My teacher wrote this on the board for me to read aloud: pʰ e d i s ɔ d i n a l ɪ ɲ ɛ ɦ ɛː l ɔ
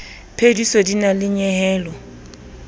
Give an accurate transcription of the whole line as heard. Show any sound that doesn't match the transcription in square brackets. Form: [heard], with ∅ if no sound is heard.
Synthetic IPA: pʰ e d i s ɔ d i n a l ɪ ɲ ɛ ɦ ɛː l ɔ